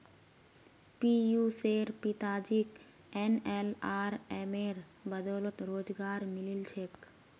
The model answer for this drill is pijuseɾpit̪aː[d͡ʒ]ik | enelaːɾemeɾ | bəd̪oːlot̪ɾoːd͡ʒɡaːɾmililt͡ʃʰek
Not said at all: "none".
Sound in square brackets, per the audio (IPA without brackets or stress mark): d͡ʒ